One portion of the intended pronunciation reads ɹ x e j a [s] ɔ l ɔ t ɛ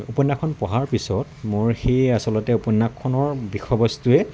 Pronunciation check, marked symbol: correct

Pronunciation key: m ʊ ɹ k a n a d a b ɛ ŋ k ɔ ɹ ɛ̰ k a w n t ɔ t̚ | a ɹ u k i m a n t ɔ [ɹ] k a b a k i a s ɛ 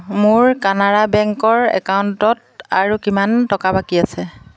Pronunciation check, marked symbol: incorrect: none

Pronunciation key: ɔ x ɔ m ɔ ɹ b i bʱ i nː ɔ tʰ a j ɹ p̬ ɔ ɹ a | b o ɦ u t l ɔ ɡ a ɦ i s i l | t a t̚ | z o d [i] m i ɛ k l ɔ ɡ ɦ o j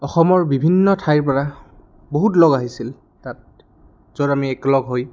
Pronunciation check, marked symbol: incorrect: a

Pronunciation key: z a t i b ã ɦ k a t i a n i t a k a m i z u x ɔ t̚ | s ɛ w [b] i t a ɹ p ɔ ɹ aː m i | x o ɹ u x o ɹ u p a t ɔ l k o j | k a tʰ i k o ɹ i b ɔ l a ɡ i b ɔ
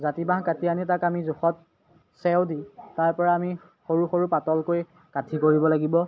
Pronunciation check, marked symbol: incorrect: d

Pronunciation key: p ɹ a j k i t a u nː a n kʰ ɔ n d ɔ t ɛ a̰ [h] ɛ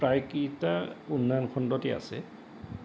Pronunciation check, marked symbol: incorrect: s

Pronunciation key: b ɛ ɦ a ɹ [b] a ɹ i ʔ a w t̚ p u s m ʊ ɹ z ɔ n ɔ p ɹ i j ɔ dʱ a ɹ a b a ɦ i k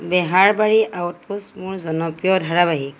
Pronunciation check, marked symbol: correct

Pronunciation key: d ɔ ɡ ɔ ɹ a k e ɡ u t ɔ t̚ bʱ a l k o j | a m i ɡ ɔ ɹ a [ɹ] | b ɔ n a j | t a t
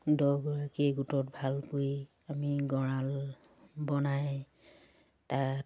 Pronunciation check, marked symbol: incorrect: l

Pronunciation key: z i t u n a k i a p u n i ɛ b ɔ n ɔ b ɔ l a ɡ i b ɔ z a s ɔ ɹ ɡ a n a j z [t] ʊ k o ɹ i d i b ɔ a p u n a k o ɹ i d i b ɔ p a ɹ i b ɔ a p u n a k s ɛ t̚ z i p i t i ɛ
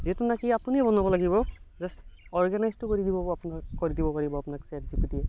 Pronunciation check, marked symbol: correct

